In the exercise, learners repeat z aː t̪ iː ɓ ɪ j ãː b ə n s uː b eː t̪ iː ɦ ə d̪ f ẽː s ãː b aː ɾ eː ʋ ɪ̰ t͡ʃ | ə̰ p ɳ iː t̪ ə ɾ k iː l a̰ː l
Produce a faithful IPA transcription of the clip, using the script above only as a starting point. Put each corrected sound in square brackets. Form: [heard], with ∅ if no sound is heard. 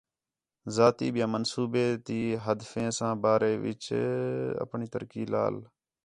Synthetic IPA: z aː t̪ iː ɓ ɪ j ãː [m] ə n s uː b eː t̪ iː ɦ ə d̪ f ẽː s ãː b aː ɾ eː ʋ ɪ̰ t͡ʃ | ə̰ p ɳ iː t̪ ə ɾ k iː l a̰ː l